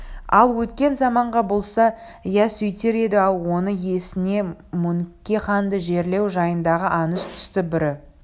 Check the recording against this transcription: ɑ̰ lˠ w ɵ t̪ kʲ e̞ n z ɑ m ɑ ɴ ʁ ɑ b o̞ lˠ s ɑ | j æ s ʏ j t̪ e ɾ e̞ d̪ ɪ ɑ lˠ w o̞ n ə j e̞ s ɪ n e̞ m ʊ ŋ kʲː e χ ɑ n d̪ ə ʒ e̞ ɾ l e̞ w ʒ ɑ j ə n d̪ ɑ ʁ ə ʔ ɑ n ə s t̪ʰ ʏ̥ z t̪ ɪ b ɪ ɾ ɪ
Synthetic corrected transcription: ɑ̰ lˠ w ɵ t̪ kʲ e̞ n z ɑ m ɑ ɴ ʁ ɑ b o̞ lˠ s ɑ | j æ s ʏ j t̪ e ɾ e̞ d̪ ɪ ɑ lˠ w o̞ n ə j e̞ s ɪ n e̞ m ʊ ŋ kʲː e χ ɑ n d̪ ə ʒ e̞ ɾ l e̞ w ʒ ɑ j ə n d̪ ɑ ʁ ə ʔ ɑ n ə s t̪ʰ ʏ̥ s t̪ ɪ b ɪ ɾ ɪ